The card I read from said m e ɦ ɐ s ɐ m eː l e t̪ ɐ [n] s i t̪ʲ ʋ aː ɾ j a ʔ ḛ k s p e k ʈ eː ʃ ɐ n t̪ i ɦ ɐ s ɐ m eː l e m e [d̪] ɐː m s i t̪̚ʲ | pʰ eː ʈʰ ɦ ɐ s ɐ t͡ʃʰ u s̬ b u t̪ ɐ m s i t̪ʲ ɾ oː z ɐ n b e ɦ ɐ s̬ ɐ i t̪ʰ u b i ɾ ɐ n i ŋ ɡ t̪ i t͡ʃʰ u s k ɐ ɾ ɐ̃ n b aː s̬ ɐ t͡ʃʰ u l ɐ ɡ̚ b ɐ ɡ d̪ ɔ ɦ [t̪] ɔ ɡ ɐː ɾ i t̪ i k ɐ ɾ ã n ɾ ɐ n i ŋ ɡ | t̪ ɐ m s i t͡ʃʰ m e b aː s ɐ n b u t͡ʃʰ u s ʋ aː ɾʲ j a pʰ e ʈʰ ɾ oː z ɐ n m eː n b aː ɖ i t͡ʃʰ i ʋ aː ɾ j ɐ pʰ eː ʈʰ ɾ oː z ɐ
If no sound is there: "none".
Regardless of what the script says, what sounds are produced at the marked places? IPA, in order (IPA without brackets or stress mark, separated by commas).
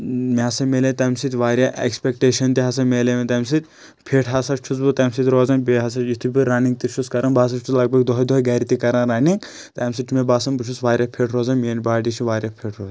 m, t̪, d̪